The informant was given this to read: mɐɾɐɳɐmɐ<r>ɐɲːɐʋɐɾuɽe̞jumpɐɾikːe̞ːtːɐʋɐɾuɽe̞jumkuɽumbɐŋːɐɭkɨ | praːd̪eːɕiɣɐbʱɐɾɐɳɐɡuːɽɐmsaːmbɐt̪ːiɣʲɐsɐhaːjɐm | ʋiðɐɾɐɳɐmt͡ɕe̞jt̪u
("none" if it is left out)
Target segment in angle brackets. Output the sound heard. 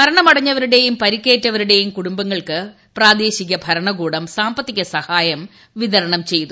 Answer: ɽ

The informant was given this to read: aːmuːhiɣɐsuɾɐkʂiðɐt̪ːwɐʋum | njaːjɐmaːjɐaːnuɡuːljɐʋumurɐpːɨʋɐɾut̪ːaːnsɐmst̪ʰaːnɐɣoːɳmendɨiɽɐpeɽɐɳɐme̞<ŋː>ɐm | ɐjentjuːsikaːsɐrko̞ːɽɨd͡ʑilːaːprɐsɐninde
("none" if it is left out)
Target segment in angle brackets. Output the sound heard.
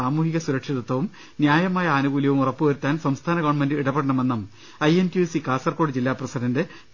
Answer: nː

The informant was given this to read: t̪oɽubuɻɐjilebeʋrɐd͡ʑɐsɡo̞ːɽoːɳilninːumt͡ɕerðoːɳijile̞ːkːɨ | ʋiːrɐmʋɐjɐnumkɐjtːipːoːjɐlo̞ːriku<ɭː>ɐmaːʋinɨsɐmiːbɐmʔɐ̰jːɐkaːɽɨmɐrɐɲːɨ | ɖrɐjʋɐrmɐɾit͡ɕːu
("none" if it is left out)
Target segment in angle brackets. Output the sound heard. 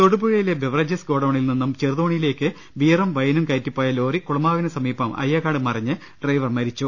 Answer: ɭ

